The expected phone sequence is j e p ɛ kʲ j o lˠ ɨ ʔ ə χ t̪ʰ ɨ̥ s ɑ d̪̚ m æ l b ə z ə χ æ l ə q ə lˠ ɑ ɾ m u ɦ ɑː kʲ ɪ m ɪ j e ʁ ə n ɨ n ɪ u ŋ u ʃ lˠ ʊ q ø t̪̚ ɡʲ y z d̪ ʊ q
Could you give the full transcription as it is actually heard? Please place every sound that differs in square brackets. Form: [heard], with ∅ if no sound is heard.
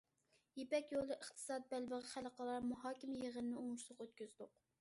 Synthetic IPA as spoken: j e p ɛ kʲ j o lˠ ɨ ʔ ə χ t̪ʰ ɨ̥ s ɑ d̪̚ [b] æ l b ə [ʁ] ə χ æ l ə q ə lˠ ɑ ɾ m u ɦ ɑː kʲ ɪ m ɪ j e ʁ ə n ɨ n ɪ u ŋ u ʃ lˠ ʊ q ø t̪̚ [kʲ] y z d̪ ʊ q